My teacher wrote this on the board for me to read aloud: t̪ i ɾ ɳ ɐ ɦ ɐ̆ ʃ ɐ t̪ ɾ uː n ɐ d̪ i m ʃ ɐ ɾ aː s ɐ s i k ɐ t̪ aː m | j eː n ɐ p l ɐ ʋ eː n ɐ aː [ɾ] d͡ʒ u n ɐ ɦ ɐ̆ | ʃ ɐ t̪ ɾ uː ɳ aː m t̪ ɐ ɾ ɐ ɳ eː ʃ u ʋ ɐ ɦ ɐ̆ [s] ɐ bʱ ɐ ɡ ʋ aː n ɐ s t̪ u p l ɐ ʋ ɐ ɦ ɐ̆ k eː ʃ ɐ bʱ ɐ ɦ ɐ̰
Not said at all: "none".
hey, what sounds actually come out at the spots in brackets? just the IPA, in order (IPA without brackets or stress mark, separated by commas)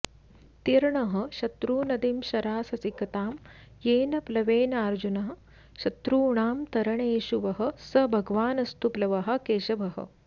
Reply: ɾ, s